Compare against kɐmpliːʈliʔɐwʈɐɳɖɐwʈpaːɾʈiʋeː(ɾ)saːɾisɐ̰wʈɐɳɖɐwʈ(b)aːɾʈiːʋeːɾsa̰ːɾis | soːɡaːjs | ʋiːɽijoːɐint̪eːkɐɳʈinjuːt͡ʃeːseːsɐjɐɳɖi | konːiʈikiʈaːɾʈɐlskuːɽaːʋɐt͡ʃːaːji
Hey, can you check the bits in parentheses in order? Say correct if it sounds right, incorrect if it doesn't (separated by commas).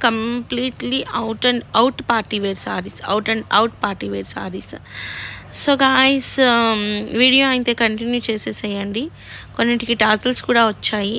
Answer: correct, incorrect